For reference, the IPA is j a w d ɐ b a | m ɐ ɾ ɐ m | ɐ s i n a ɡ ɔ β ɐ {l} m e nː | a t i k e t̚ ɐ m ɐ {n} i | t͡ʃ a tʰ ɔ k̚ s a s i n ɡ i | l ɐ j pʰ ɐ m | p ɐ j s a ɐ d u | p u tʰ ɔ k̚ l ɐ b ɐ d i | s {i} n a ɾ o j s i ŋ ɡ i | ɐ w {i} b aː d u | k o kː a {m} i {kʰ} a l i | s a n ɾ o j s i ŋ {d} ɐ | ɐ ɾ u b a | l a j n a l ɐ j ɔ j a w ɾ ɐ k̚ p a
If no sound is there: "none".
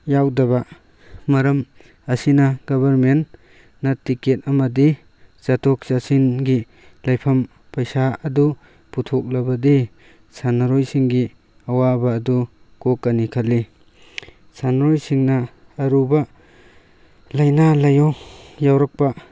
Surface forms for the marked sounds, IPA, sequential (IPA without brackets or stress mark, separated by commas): ɾ, d, a, a, n, kʰ, n